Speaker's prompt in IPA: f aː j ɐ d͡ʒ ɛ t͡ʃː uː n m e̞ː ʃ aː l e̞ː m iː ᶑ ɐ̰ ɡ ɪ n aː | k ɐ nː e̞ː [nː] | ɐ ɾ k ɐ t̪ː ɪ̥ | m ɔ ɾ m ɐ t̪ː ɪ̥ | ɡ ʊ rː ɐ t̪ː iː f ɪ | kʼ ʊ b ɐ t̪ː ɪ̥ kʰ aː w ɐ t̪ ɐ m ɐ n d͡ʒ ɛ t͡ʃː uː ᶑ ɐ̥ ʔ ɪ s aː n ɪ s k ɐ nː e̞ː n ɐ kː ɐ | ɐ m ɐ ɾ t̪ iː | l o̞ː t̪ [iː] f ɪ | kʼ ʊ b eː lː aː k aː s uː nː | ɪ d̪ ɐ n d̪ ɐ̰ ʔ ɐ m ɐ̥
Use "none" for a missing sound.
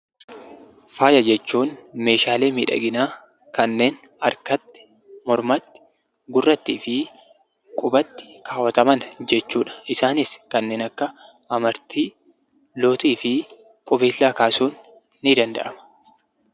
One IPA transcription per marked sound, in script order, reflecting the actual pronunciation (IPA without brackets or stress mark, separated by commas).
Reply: n, iː